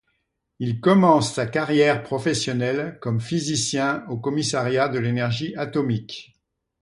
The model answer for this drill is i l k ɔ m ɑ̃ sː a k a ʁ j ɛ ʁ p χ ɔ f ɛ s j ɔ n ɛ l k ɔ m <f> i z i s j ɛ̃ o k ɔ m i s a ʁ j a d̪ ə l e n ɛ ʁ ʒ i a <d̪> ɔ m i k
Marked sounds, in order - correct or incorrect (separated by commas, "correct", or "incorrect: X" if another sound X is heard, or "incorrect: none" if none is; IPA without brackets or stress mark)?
correct, incorrect: t̪